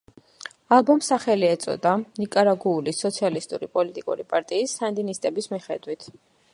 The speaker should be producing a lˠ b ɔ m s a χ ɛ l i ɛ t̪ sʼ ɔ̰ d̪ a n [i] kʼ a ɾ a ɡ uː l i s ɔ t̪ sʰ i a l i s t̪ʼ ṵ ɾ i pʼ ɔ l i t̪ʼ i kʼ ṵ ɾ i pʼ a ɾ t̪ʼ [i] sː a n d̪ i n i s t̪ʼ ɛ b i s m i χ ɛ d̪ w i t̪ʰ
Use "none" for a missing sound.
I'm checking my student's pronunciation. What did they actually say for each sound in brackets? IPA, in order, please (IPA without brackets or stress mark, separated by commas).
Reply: i, iː